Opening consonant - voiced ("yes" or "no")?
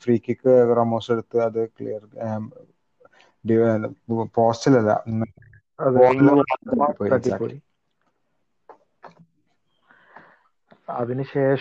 no